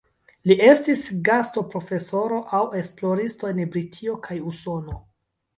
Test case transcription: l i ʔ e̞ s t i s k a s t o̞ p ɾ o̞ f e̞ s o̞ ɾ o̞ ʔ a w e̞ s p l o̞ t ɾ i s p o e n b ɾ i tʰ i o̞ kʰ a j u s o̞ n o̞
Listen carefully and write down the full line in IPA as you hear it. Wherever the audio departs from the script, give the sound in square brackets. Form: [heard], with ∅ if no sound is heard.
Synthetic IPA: l i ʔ e̞ s t i s [ɡ] a s t o̞ p ɾ o̞ f e̞ s o̞ ɾ o̞ ʔ a w e̞ s p l o̞ [∅] ɾ i s [t] o e n b ɾ i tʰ i o̞ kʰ a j u s o̞ n o̞

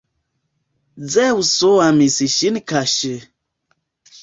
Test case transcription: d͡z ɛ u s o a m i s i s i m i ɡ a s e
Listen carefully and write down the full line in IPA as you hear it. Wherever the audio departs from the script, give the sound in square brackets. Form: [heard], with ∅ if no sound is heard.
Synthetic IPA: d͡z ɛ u s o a m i s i [ʃ] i [n] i [k] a [ʃ] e

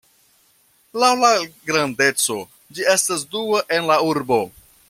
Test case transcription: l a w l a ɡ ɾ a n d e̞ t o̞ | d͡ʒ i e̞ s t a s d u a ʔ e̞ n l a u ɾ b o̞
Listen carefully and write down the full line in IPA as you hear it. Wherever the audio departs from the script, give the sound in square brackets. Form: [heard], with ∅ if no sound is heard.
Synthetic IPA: l a w l a ɡ ɾ a n d e̞ [t͡s] o̞ | d͡ʒ i e̞ s t a s d u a ʔ e̞ n l a u ɾ b o̞

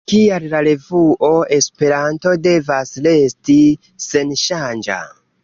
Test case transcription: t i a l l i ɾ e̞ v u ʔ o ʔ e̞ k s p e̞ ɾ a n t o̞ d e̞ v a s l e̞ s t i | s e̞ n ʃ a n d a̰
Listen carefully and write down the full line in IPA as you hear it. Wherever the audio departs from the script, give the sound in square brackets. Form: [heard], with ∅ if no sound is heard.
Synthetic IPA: [k] i a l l [a] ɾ e̞ v u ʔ o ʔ e̞ [∅] s p e̞ ɾ a n t o̞ d e̞ v a s l e̞ s t i | s e̞ n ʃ a n [d͡ʒ] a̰

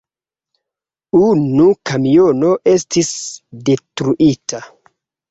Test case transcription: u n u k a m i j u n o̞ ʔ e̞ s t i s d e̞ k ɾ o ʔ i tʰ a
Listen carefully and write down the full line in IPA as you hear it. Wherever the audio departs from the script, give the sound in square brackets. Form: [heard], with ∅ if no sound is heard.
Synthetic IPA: u n u k a m i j [o] n o̞ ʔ e̞ s t i s d e̞ [t] ɾ [u] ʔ i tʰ a

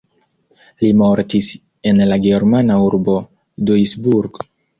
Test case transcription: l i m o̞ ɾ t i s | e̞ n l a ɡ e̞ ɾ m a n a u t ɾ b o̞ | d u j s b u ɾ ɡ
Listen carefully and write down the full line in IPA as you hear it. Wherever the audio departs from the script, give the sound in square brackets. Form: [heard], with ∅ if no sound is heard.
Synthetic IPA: l i m o̞ ɾ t i s | e̞ n l a ɡ e̞ ɾ m a n a u [∅] ɾ b o̞ | d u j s b u ɾ ɡ

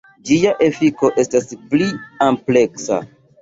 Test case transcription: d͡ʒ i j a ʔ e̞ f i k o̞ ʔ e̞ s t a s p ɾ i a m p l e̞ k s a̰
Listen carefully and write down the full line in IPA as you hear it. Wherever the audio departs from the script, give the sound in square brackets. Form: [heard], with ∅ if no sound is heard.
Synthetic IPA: d͡ʒ i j a ʔ e̞ f i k o̞ ʔ e̞ s t a s p [l] i a m p l e̞ k s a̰

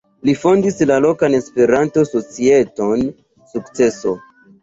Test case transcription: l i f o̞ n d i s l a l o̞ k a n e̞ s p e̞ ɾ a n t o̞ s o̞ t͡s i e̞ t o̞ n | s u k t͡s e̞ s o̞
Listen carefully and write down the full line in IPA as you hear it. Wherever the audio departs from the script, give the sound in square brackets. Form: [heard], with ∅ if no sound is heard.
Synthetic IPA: l i f o̞ n d i s l a l o̞ k a n e̞ s p e̞ ɾ a n t o̞ s o̞ t͡s i e̞ t o̞ n | s u k t͡s e̞ s o̞

